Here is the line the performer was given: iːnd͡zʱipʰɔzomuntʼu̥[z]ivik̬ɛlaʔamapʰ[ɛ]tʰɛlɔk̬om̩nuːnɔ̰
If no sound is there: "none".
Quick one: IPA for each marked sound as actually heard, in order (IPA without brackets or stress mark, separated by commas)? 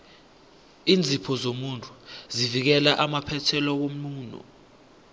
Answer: z, ɛ